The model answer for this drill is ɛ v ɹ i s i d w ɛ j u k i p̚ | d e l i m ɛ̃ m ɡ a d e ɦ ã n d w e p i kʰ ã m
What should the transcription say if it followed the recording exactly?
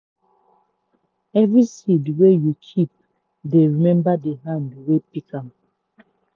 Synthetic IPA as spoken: ɛ v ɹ i s i d w e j u kʰ i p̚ | d e ɹ i m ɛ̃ m b a d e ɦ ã n d w e p i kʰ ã m